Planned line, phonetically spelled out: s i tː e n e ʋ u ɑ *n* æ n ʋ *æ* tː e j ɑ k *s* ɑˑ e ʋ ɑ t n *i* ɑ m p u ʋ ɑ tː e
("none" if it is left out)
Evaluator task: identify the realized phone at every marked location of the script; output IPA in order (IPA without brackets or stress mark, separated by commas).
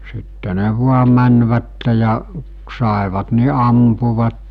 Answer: m, æ, s, i